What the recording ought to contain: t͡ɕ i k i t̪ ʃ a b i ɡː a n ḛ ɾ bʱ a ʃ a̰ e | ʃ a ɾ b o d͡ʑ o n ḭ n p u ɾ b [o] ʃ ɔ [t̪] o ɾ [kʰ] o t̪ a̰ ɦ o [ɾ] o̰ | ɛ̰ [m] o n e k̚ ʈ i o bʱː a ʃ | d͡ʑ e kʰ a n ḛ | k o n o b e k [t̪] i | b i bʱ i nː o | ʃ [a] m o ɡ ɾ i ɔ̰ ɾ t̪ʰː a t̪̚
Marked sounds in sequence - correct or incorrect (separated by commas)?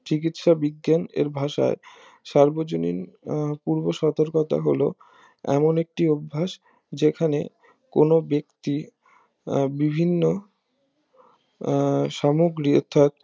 correct, correct, incorrect, incorrect, correct, correct, correct